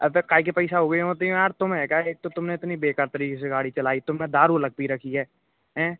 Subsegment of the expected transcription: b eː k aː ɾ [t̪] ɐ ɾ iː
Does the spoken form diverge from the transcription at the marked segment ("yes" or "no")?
no